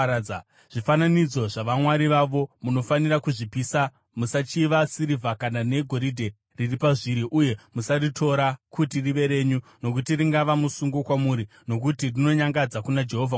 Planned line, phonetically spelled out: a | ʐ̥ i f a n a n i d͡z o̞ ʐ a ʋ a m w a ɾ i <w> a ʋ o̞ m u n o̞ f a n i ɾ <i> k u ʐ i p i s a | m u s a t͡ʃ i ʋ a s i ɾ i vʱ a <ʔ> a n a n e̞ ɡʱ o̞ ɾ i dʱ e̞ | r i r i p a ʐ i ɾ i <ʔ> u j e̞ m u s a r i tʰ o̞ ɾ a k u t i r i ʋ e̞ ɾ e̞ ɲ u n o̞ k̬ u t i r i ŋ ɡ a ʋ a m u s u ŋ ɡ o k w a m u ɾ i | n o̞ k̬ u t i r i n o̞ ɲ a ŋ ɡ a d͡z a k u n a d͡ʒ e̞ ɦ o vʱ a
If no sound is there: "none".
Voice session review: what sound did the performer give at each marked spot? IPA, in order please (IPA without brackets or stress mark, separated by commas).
ʋ, a, k, ʔ